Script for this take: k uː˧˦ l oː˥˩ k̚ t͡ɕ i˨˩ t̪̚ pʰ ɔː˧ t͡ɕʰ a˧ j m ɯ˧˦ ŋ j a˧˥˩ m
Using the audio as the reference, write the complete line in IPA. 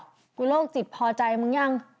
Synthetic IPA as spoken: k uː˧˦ l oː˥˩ k̚ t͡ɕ i˨˩ t̪̚ pʰ ɔː˧ t͡ɕ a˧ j m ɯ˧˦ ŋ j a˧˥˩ ŋ